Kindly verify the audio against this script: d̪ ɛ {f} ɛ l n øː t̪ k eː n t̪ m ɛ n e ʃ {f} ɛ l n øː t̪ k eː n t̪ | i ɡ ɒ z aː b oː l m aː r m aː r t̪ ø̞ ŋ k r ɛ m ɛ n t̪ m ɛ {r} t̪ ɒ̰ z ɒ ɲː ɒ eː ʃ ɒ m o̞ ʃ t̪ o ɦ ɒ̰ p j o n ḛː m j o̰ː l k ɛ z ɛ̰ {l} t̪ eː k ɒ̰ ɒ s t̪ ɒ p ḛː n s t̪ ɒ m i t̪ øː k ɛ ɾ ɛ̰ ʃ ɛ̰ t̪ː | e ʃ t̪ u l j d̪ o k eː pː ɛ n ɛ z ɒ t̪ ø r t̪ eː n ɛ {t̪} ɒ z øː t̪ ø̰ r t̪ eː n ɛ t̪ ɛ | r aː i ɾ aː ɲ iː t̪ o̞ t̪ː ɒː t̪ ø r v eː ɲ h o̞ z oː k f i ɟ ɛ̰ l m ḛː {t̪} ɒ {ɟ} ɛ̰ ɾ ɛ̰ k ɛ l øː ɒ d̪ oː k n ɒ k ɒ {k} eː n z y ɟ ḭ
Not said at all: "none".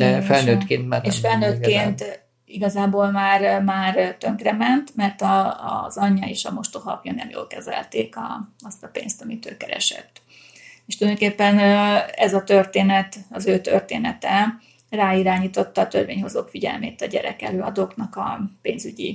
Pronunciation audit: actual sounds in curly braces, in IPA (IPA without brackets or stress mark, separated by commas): f, f, r, l, t̪, t̪, ɟ, p